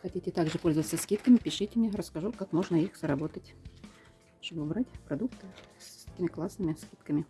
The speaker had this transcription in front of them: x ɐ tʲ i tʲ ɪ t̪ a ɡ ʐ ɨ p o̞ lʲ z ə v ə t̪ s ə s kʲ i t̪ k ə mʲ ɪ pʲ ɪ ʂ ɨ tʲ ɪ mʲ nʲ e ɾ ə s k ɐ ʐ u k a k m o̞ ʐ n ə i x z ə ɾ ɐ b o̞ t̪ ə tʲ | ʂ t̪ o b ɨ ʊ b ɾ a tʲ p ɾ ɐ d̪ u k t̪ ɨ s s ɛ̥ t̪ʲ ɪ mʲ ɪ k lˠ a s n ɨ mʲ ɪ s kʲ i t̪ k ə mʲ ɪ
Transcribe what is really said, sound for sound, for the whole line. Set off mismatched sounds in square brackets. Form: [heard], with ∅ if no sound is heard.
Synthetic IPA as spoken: x ɐ tʲ i tʲ ɪ t̪ a ɡ ʐ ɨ p o̞ lʲ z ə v ə t̪ s ə s kʲ i t̪ k ə mʲ ɪ pʲ ɪ ʂ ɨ tʲ ɪ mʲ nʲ e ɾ ə s k ɐ ʐ u k a k m o̞ ʐ n ə i x z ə ɾ ɐ b o̞ t̪ ə tʲ | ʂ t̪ o b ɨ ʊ b ɾ a tʲ p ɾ ɐ d̪ u k t̪ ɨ s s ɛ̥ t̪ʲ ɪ mʲ ɪ k lˠ a s n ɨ mʲ ɪ s kʲ i t̪ k ə mʲ ɪ